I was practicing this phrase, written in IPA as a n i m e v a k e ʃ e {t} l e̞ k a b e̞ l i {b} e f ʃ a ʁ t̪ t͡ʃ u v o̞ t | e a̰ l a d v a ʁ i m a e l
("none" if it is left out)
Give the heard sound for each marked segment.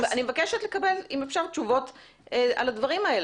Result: t, m

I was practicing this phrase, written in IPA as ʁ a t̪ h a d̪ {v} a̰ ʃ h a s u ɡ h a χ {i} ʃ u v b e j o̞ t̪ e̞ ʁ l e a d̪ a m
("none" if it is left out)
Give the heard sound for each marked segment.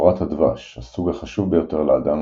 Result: v, a

